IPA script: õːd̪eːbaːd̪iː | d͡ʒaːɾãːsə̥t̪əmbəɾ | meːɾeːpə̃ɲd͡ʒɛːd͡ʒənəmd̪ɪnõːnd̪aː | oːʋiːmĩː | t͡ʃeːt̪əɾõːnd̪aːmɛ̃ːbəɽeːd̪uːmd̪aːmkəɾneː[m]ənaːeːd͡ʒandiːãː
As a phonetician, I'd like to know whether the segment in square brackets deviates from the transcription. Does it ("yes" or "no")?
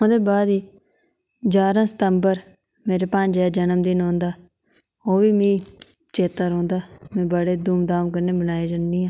yes